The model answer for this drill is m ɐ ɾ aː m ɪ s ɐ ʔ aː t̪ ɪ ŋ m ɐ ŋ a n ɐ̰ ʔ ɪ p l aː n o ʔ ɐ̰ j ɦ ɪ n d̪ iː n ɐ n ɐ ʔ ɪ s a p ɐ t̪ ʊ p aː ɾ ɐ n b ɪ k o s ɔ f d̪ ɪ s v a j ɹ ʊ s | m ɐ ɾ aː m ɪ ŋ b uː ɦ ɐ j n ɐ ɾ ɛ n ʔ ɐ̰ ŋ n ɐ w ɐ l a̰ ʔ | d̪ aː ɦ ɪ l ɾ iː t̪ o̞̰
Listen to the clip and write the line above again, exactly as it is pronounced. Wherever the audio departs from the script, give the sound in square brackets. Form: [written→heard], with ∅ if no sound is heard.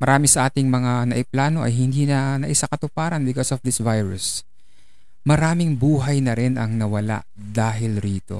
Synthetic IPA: m ɐ ɾ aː m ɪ s ɐ ʔ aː t̪ ɪ ŋ m ɐ ŋ a n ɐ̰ ʔ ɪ p l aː n o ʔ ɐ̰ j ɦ ɪ n d̪ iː n ɐ n ɐ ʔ ɪ s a [p→k] ɐ t̪ ʊ p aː ɾ ɐ n b ɪ k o s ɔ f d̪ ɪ s v a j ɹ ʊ s | m ɐ ɾ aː m ɪ ŋ b uː ɦ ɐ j n ɐ ɾ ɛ n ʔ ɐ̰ ŋ n ɐ w ɐ l a̰ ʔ | d̪ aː ɦ ɪ l ɾ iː t̪ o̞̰